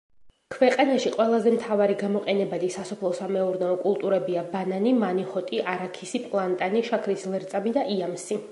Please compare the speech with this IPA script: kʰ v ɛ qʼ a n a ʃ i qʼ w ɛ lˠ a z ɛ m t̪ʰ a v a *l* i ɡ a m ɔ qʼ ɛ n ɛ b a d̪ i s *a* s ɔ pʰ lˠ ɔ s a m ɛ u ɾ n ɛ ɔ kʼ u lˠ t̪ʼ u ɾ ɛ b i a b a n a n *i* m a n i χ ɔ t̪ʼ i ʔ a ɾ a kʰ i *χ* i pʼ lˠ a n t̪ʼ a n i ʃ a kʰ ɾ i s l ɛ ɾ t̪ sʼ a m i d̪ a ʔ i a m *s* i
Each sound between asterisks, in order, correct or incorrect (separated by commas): incorrect, correct, correct, incorrect, correct